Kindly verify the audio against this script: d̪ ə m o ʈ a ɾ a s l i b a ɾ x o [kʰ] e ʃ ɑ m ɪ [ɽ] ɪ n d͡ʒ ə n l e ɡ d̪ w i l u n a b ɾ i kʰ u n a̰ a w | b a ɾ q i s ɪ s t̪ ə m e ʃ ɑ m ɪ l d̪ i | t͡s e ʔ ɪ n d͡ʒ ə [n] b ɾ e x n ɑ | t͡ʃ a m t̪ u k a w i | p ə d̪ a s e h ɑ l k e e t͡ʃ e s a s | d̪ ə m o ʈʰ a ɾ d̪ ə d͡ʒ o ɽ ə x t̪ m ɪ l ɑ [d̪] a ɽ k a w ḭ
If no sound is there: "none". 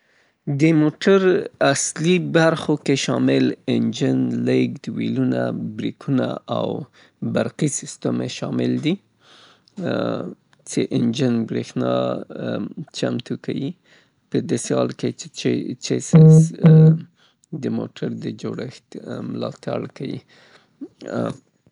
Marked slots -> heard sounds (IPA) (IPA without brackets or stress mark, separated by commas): k, l, n, t̪